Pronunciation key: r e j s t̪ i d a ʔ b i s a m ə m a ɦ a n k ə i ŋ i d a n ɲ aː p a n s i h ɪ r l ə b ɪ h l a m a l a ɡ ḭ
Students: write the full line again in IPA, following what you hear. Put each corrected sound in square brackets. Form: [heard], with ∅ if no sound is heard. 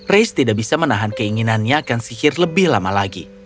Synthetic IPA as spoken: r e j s t̪ i d a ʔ b i s a m ə [n] a ɦ a n k ə i ŋ i [n] a n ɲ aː [k] a n s i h ɪ r l ə b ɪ h l a m a l a ɡ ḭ